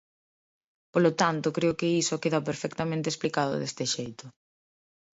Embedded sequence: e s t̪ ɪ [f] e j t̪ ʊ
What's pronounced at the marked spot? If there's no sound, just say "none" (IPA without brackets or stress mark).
ʃ